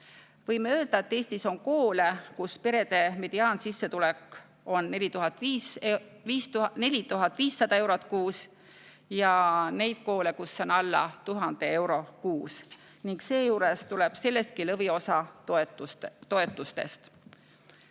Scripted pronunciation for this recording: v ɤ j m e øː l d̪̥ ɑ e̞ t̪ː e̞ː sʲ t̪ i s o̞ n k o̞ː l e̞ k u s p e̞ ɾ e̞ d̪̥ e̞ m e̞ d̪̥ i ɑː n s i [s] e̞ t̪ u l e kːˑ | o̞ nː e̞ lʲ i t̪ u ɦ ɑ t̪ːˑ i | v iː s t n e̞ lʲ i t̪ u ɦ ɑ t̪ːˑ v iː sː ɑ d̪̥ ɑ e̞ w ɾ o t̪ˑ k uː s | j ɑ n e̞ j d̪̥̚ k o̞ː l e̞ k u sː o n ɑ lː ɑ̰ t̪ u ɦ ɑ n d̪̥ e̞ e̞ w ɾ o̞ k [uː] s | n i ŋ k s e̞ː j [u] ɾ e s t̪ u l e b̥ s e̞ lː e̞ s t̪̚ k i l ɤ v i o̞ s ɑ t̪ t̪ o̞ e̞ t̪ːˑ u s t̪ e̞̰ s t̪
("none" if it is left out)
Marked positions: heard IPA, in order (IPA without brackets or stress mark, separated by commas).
sː, uː, uː